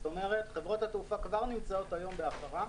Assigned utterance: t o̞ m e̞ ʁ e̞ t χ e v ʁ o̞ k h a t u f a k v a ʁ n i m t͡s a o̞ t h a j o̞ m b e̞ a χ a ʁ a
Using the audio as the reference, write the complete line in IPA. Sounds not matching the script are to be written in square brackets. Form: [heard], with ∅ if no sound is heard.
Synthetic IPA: t o̞ m e̞ ʁ e̞ t χ e v ʁ o̞ [t] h a t u f a k v a ʁ n i m t͡s a o̞ t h a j o̞ m b e̞ a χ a ʁ a